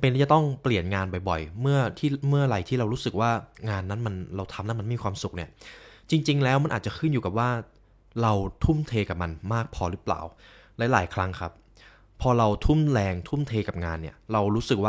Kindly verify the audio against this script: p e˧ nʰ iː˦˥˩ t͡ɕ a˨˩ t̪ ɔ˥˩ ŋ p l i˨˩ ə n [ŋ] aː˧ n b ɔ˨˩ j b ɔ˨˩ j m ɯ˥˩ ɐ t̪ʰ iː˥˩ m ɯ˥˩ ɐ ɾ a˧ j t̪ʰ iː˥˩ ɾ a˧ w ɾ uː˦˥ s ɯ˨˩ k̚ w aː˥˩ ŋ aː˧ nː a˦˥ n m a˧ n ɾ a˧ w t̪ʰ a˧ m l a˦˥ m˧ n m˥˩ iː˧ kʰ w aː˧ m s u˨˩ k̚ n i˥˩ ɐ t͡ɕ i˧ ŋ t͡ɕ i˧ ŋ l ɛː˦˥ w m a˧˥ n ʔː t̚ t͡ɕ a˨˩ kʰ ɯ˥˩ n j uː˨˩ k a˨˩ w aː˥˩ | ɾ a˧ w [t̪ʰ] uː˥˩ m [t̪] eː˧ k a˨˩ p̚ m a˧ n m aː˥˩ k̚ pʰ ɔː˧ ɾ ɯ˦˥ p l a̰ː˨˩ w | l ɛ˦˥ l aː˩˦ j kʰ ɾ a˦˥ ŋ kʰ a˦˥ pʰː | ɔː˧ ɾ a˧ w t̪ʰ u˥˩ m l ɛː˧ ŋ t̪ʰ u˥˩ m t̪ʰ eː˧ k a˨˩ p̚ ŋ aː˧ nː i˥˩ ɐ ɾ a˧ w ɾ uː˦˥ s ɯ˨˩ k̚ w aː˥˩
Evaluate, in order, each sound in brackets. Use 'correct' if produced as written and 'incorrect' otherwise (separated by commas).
correct, correct, incorrect